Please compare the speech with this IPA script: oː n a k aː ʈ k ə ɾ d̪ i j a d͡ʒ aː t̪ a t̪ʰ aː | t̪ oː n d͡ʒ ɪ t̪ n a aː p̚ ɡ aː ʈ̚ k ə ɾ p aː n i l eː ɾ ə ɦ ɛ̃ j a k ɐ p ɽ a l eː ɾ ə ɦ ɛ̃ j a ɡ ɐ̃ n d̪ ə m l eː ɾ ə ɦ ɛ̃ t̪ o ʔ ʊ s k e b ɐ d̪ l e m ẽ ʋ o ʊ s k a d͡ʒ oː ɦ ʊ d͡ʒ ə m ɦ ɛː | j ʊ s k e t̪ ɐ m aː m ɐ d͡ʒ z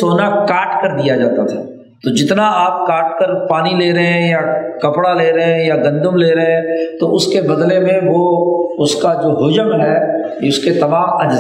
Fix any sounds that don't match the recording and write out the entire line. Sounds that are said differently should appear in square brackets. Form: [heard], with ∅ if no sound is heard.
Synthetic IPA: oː n a k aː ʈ k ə ɾ d̪ i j a d͡ʒ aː t̪ a t̪ʰ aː | t̪ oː [∅] d͡ʒ ɪ t̪ n a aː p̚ [k] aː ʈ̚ k ə ɾ p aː n i l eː ɾ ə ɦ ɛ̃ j a k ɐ p ɽ a l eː ɾ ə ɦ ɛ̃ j a ɡ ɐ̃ n d̪ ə m l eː ɾ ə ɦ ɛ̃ t̪ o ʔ ʊ s k e b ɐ d̪ l e m ẽ ʋ o ʊ s k a d͡ʒ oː ɦ ʊ d͡ʒ ə m ɦ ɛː | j ʊ s k e t̪ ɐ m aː m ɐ d͡ʒ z